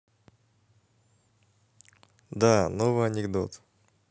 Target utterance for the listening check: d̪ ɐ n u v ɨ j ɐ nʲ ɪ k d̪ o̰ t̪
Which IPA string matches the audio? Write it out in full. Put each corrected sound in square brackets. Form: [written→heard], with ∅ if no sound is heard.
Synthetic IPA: d̪ [ɐ→a] n [u→o] v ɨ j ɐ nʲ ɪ [k→ɡ] d̪ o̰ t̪

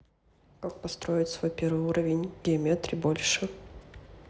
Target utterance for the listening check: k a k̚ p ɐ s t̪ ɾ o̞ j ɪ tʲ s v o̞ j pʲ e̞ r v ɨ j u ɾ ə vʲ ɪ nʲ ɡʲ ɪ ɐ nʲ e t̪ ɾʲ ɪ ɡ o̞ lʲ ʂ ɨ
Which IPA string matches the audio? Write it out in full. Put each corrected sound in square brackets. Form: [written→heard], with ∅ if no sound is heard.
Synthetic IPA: k a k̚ p ɐ s t̪ ɾ o̞ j ɪ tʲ s v o̞ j pʲ e̞ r v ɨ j u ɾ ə vʲ ɪ nʲ ɡʲ ɪ ɐ [nʲ→mʲ] e t̪ ɾʲ ɪ [ɡ→b] o̞ lʲ ʂ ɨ

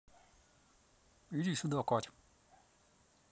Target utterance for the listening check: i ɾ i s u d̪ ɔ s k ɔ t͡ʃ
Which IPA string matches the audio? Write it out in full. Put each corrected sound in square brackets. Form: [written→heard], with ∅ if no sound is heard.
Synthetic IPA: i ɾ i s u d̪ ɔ [s→∅] k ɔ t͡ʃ

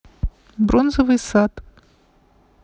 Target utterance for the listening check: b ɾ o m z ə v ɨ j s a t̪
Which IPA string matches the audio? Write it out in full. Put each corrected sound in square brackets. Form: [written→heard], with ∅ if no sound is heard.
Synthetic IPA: b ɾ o [m→n] z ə v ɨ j s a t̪

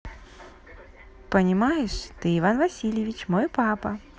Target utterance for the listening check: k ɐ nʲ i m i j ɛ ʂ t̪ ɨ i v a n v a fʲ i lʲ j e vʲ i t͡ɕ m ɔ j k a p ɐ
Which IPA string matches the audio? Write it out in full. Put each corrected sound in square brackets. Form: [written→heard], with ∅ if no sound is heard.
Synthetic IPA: [k→p] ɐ nʲ i m [i→a] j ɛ ʂ t̪ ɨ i v a n v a [fʲ→sʲ] i lʲ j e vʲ i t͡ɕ m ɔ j [k→p] a p ɐ

